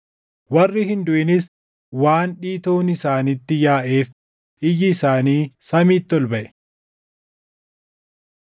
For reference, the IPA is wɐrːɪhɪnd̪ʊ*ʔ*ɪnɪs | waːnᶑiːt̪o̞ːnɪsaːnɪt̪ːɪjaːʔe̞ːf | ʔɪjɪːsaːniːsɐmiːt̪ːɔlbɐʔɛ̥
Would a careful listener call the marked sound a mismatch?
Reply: no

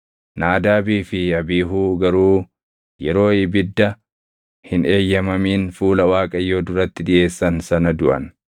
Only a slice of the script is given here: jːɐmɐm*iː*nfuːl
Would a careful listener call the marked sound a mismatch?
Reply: no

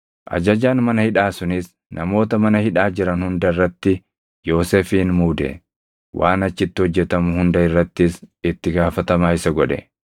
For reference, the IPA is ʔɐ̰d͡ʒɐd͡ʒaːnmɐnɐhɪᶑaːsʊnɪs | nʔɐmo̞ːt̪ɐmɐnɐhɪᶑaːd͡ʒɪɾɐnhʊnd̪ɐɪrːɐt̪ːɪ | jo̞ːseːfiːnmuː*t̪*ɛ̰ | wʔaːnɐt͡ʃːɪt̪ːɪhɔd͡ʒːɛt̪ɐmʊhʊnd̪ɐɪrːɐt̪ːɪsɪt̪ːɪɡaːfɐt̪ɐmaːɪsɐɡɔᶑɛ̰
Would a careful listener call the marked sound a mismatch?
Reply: yes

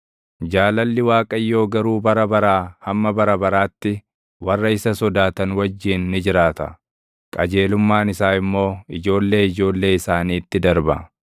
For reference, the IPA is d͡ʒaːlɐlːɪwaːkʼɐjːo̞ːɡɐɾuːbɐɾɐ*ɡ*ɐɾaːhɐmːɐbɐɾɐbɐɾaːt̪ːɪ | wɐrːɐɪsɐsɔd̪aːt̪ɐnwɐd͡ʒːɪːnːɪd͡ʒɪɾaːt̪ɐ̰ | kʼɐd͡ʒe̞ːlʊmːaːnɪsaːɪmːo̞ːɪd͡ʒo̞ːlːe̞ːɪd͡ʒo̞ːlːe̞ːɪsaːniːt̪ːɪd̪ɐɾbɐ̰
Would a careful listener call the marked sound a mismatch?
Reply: yes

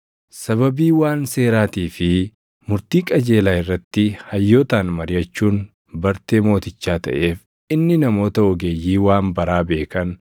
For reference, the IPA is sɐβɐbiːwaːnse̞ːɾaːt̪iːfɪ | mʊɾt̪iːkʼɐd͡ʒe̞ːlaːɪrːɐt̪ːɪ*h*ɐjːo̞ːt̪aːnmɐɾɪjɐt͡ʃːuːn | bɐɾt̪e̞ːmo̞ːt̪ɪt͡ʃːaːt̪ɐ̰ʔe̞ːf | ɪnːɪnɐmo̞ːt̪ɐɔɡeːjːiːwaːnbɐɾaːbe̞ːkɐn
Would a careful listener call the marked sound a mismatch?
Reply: no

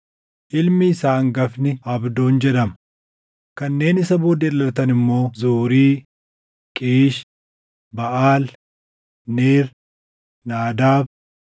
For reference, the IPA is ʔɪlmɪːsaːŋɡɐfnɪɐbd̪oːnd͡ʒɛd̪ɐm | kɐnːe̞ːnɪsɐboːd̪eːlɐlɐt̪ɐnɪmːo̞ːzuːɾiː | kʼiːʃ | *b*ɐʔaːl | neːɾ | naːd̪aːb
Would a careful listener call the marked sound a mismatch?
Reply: no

